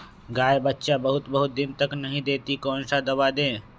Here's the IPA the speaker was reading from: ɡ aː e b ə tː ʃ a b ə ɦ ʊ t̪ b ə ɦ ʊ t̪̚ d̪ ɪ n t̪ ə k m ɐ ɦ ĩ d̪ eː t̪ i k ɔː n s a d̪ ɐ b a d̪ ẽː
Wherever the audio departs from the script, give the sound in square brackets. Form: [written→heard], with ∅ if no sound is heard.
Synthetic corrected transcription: ɡ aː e b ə tː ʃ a b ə ɦ ʊ t̪ b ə ɦ ʊ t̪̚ d̪ ɪ n t̪ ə k [m→n] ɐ ɦ ĩ d̪ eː t̪ i k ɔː n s a d̪ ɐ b a d̪ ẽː